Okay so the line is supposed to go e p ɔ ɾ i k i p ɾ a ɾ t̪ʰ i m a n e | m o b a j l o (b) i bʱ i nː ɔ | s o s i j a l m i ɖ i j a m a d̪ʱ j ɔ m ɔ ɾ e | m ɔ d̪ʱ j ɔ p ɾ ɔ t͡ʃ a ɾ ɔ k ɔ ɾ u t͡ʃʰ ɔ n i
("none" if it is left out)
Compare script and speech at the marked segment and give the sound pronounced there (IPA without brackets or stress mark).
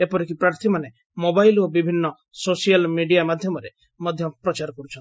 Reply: b